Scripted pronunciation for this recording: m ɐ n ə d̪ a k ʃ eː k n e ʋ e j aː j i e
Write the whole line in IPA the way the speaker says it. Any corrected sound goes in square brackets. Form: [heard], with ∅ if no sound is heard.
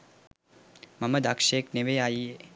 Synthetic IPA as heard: m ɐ [m] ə d̪ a k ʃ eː k n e ʋ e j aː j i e